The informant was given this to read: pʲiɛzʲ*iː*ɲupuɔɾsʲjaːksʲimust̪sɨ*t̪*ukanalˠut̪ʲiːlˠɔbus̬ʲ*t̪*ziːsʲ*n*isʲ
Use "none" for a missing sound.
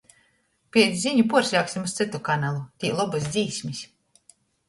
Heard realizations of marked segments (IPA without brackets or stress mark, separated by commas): i, t̪, d̪, m